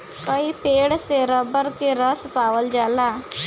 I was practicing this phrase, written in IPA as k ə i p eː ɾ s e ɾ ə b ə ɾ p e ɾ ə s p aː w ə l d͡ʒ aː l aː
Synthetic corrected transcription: k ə i p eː ɽ s e ɾ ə b ə ɾ k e ɾ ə s p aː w ə l d͡ʒ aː l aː